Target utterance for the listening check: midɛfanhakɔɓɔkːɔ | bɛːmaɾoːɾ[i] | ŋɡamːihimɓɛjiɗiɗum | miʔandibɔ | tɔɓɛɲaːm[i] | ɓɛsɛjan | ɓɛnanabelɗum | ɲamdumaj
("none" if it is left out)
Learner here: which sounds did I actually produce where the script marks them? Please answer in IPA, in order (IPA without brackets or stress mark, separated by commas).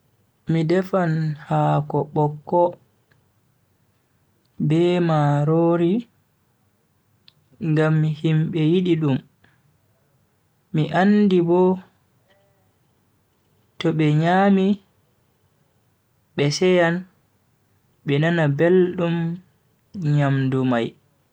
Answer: i, i